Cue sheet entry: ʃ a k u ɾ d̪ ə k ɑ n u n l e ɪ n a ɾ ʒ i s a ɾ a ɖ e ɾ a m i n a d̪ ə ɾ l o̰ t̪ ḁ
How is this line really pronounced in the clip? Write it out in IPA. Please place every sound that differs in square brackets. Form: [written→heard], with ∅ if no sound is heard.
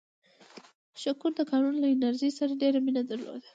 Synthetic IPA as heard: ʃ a k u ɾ d̪ ə k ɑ n u n l [e→a] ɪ n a ɾ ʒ i s a ɾ a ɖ e ɾ a m i n a d̪ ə ɾ l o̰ [t̪→d̪] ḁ